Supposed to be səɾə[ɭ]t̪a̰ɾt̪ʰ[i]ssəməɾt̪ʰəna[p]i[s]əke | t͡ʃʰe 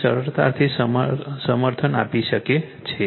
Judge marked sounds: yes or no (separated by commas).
no, yes, yes, no